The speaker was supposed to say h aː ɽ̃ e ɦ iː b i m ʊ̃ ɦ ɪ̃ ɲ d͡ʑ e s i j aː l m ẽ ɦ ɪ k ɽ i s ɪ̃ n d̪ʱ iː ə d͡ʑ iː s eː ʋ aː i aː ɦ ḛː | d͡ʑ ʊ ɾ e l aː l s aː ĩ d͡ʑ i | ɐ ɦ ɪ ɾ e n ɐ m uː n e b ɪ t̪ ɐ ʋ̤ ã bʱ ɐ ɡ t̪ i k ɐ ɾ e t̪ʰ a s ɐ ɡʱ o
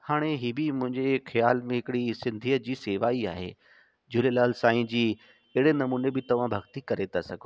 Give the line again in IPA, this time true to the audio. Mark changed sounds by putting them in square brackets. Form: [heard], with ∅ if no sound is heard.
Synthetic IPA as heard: h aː ɽ̃ e ɦ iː b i m ʊ̃ ɦ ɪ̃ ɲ d͡ʑ e [x] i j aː l m ẽ ɦ ɪ k ɽ i s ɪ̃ n d̪ʱ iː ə d͡ʑ iː s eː ʋ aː i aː ɦ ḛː | d͡ʑ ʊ [l] e l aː l s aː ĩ d͡ʑ [iː] | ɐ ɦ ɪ [ɽ] e n ɐ m uː n e b ɪ t̪ ɐ ʋ̤ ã bʱ ɐ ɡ t̪ i k ɐ ɾ e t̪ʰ a s ɐ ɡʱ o